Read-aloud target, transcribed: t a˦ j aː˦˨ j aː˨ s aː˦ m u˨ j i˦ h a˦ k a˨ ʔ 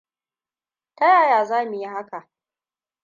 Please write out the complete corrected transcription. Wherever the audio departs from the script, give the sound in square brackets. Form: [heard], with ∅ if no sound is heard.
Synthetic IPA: t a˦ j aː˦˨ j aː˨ [z] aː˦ m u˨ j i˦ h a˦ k a˨ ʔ